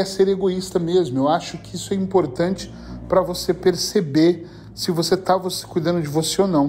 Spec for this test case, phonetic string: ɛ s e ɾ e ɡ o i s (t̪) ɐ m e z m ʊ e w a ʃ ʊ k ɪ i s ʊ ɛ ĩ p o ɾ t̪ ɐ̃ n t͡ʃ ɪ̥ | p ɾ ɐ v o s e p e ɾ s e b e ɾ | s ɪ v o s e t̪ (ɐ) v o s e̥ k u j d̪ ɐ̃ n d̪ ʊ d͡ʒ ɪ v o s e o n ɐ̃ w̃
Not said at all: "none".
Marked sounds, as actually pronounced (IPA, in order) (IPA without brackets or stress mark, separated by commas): t̪, a